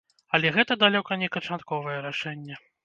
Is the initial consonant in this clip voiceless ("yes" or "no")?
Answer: no